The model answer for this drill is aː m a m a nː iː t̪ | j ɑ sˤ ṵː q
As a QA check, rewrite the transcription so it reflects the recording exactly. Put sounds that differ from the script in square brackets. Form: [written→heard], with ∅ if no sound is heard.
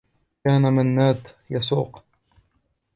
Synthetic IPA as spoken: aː [m→n] a m a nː [iː→aː] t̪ | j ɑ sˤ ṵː q